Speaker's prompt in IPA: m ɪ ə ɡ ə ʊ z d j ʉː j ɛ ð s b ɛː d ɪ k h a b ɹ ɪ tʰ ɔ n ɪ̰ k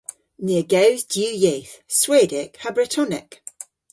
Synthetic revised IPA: n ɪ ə ɡ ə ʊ z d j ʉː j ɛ θ s w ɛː d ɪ k h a b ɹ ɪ tʰ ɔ n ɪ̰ k

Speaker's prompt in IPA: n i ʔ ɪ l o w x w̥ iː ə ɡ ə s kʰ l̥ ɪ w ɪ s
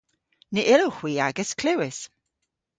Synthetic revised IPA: n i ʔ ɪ l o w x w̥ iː a ɡ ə s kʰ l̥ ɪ w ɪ s

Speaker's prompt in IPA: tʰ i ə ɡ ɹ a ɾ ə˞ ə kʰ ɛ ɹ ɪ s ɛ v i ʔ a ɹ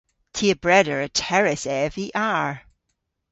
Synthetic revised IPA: tʰ i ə b ɹ ɛ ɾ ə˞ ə tʰ ɛ ɹ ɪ s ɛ v i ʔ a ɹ

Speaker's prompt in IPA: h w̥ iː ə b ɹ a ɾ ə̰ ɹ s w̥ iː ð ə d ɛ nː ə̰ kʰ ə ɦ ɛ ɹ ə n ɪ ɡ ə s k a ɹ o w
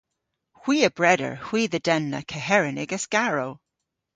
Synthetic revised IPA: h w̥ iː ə b ɹ ɛ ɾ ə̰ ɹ h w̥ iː ð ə d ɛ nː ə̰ kʰ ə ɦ ɛ ɹ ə n ɪ ɡ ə s k a ɹ o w

